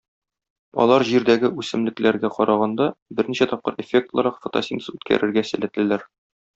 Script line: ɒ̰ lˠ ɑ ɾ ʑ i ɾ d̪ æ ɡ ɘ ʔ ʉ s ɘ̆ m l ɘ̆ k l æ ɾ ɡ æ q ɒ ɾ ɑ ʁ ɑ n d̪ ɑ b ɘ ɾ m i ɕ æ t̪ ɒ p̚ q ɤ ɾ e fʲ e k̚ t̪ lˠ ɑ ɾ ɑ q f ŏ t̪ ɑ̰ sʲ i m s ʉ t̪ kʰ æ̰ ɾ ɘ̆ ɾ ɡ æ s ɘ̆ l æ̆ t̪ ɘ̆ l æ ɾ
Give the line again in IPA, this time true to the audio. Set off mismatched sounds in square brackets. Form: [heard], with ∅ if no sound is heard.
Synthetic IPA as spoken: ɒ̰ lˠ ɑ ɾ ʑ i ɾ d̪ æ ɡ ɘ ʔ ʉ s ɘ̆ m l ɘ̆ k l æ ɾ ɡ æ q ɒ ɾ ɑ ʁ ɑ n d̪ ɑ b ɘ ɾ [n] i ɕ æ t̪ ɒ p̚ q ɤ ɾ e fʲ e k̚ t̪ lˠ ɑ ɾ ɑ q f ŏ t̪ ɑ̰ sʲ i [n] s ʉ t̪ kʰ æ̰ ɾ ɘ̆ ɾ ɡ æ s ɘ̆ l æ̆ t̪ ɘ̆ l æ ɾ